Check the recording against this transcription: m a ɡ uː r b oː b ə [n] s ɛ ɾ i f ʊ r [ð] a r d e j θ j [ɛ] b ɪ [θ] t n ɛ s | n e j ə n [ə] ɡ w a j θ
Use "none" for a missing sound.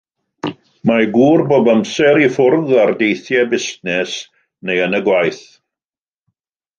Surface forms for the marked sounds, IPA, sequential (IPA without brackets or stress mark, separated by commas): m, ð, ɛ, s, ə